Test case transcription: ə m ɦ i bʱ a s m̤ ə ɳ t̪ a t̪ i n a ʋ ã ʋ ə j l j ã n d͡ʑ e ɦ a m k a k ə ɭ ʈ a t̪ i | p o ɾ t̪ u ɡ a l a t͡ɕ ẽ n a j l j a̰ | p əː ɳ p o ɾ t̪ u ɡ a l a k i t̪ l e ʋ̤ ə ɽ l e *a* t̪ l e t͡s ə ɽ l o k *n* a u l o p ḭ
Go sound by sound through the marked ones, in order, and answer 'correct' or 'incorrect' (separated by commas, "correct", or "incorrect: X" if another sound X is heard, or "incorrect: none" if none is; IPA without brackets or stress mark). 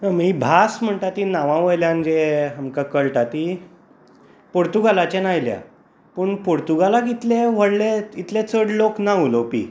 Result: incorrect: i, correct